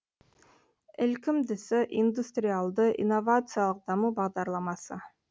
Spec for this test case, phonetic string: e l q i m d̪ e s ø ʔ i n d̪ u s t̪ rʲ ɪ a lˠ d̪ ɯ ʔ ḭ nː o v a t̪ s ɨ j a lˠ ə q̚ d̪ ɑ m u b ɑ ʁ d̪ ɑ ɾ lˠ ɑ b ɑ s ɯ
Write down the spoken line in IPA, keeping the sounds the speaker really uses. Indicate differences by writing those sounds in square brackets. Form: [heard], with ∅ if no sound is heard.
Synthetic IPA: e l [k] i m d̪ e s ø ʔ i n d̪ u s t̪ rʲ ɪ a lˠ d̪ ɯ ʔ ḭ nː o v a t̪ s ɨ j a lˠ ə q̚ d̪ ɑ m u b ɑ ʁ d̪ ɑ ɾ lˠ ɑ [m] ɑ s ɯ